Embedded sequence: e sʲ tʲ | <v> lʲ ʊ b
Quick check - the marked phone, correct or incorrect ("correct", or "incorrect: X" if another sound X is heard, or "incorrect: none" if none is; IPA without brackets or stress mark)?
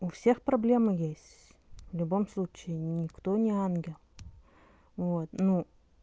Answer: correct